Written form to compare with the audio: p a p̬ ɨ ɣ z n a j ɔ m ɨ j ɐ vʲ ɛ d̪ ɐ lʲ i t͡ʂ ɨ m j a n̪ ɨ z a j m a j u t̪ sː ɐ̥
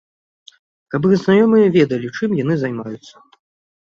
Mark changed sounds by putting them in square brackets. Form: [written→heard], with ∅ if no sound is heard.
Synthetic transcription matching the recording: [p→k] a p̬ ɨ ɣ z n a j ɔ m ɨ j ɐ vʲ ɛ d̪ ɐ lʲ i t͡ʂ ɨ m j a n̪ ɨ z a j m a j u t̪ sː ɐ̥